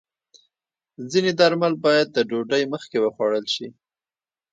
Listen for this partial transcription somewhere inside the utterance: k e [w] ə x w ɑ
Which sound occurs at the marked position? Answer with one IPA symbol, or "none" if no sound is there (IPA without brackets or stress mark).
w